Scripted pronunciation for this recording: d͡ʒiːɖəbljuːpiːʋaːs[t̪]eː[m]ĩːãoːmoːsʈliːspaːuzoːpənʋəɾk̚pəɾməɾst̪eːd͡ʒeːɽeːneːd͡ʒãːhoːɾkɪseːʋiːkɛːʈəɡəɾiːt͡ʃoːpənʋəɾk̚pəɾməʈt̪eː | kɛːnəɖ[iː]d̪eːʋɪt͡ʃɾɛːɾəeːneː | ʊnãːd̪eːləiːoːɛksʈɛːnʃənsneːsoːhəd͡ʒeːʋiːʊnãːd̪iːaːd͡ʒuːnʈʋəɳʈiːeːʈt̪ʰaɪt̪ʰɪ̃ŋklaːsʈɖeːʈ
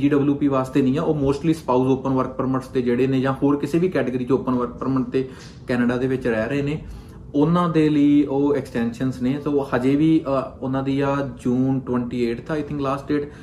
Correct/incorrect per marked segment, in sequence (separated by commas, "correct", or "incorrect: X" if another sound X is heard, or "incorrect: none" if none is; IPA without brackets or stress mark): correct, incorrect: n, incorrect: aː